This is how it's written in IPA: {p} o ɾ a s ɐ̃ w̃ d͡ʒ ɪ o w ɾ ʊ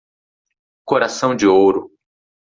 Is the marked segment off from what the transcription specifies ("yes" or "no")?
yes